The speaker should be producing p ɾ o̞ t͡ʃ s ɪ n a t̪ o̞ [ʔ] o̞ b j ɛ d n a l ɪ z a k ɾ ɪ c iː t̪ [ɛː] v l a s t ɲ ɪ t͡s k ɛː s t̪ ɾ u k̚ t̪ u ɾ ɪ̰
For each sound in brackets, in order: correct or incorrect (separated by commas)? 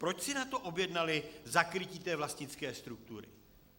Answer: correct, correct